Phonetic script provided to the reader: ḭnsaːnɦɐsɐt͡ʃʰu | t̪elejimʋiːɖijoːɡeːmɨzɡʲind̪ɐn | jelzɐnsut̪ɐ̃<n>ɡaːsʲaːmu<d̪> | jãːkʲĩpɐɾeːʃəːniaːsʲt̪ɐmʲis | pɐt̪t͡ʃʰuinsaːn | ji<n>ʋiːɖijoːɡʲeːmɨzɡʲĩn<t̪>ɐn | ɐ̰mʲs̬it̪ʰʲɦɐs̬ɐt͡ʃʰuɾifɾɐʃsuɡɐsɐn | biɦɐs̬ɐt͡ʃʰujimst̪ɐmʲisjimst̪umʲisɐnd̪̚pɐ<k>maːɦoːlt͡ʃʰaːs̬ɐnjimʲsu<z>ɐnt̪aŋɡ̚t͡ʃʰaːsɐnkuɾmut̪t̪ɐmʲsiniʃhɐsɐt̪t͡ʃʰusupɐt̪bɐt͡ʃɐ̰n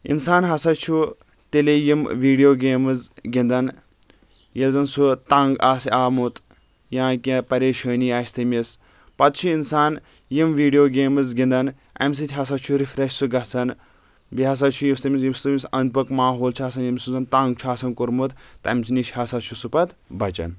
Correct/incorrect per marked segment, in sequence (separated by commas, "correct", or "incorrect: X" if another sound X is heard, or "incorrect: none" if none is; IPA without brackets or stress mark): incorrect: ŋ, incorrect: t̪, incorrect: m, incorrect: d̪, correct, correct